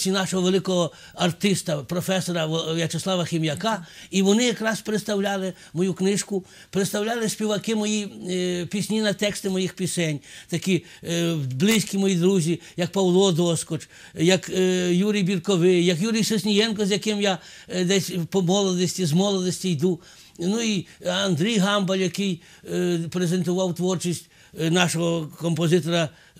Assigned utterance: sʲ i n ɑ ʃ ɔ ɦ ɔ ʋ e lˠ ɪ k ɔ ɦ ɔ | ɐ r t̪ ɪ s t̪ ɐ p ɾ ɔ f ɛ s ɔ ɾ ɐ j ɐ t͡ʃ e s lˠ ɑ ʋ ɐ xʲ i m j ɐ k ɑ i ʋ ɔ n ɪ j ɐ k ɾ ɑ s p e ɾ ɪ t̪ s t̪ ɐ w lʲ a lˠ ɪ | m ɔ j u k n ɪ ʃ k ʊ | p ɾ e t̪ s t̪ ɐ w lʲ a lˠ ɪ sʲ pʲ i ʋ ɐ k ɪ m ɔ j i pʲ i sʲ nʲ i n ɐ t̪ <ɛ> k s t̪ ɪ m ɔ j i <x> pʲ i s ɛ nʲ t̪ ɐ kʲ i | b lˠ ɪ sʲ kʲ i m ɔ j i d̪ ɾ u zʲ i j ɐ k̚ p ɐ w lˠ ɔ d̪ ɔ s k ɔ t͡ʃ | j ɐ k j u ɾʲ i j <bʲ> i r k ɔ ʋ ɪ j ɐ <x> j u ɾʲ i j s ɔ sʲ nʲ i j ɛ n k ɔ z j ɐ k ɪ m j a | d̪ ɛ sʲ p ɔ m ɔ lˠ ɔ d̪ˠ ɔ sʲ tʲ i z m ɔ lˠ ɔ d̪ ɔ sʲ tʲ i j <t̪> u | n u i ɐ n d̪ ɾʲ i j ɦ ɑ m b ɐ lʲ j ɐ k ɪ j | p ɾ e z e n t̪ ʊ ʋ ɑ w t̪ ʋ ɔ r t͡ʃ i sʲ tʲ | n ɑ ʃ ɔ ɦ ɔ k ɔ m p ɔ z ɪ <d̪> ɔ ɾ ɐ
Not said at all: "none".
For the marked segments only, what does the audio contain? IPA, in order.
ɛ, x, bʲ, k, d̪, t̪

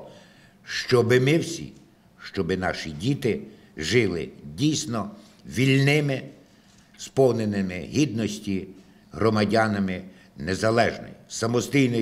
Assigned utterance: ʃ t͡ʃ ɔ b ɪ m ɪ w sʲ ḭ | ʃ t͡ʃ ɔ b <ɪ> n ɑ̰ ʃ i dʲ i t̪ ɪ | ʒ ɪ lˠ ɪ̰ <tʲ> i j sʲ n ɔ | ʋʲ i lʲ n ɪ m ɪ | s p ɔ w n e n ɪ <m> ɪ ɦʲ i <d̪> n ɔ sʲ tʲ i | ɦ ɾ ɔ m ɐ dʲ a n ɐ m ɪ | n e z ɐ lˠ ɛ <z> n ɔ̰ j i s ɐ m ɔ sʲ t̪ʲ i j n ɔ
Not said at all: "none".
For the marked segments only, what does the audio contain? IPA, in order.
ɪ, dʲ, m, d̪, ʒ

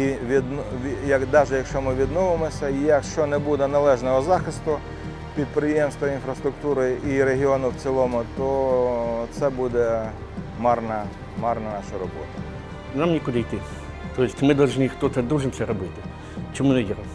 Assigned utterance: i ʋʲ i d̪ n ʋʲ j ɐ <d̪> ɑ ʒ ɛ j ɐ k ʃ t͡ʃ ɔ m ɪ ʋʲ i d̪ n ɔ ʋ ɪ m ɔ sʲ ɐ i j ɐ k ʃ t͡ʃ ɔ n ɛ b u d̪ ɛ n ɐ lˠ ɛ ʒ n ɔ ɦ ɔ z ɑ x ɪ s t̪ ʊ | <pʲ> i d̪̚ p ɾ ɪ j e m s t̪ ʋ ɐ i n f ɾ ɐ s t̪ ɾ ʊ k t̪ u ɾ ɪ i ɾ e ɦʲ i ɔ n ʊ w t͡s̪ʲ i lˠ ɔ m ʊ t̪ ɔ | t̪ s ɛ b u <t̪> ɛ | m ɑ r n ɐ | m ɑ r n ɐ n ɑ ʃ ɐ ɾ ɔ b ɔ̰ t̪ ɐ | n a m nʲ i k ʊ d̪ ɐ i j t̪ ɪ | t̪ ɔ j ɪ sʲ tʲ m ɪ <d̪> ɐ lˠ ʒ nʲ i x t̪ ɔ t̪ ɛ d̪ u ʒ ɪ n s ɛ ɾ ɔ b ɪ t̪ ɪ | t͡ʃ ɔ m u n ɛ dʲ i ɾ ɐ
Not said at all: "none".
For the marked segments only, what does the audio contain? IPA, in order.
d̪, pʲ, d̪, d̪

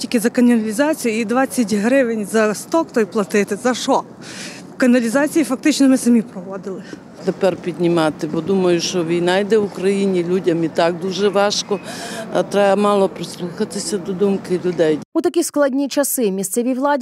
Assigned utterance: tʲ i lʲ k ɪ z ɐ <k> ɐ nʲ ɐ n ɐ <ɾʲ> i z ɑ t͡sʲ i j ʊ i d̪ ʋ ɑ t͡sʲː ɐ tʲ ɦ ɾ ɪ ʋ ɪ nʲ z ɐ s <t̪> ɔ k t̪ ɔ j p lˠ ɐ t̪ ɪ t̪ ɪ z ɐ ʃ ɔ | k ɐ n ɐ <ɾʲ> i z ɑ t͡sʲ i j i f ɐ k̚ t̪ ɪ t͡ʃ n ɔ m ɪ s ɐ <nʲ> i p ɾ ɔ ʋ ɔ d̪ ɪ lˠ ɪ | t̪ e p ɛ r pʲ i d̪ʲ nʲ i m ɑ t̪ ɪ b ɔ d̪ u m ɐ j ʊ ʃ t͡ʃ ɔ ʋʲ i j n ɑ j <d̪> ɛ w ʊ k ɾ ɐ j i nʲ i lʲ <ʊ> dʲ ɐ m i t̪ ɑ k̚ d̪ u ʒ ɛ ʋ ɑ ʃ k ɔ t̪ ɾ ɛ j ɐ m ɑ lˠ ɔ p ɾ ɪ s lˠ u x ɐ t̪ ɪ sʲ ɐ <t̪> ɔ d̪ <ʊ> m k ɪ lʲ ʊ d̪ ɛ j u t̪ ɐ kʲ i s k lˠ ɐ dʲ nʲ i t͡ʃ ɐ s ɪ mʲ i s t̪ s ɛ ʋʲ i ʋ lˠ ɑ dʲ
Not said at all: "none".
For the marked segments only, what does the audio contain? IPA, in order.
k, lʲ, t̪, lʲ, mʲ, d̪, u, d̪, u

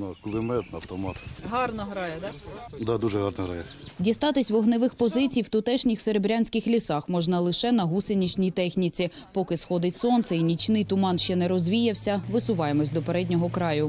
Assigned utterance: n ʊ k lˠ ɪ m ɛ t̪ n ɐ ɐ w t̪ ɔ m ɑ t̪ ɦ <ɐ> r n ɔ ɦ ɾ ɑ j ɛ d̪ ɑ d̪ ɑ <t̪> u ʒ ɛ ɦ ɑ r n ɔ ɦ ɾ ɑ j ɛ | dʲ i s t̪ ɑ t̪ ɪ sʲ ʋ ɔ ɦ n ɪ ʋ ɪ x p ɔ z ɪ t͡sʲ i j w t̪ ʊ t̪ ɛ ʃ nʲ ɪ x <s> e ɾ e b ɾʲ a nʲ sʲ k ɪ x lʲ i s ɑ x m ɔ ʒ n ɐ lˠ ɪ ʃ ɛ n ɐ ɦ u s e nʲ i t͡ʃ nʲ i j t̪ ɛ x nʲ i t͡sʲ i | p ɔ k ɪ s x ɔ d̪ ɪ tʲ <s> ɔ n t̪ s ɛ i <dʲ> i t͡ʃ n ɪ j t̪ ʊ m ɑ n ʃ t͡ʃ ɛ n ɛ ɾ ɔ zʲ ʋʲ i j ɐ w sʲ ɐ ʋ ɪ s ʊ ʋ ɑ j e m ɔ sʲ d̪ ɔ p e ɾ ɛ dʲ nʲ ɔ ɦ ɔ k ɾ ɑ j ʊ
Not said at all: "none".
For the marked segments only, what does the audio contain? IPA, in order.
ɑ, d̪, s, s, nʲ

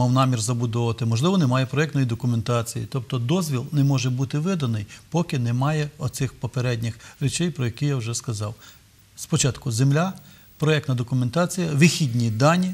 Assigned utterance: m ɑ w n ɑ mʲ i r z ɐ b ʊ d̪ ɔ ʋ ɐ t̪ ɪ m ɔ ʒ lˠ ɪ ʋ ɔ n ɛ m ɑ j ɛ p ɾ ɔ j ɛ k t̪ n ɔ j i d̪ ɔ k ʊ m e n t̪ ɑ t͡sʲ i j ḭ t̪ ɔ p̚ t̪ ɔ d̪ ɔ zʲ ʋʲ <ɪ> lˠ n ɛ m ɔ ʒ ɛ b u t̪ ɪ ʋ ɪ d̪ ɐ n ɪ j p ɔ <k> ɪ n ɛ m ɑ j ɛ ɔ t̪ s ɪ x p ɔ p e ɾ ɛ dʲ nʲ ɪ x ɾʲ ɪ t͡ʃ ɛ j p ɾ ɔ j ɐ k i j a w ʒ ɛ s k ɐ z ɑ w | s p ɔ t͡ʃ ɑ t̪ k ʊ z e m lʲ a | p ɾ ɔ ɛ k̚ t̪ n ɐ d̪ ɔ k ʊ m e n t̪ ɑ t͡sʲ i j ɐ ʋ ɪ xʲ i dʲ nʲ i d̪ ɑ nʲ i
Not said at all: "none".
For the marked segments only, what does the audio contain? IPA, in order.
i, k

